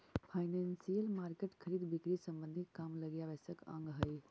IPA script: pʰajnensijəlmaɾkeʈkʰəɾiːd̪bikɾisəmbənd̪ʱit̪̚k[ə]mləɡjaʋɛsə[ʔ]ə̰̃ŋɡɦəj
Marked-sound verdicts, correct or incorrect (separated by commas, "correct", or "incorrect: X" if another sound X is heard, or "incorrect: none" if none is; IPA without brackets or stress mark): incorrect: a, incorrect: k